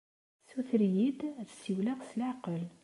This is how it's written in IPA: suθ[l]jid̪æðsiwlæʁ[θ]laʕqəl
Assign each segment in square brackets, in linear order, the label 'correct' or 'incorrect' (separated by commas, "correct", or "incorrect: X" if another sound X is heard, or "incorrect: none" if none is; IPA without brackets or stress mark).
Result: incorrect: ɾ, incorrect: s